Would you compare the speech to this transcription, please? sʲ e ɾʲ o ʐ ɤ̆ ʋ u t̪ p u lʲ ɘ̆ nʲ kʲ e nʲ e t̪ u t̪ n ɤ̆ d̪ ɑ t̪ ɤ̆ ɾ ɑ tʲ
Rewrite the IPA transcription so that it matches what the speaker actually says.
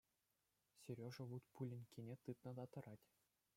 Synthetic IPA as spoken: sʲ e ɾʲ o ʐ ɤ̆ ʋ u t̪ p u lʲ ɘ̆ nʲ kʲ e nʲ e t̪ ɯ t̪ n ɤ̆ d̪ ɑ t̪ ɤ̆ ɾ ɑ tʲ